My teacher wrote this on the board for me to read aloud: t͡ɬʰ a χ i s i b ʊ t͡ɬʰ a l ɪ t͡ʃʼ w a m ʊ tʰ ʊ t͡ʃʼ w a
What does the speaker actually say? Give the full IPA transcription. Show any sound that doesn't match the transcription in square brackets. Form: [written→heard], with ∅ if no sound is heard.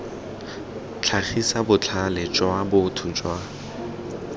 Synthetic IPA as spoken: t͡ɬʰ a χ i s [i→a] b ʊ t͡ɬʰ a l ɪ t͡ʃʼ w a [m→b] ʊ tʰ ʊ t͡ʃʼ w a